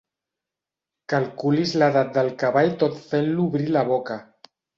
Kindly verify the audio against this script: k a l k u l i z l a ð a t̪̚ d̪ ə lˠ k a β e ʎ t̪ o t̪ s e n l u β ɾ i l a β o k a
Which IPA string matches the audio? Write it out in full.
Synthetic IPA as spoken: k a l k u l i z l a ð a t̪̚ d̪ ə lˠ k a β a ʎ t̪ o t̪ f e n l u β ɾ i l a β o k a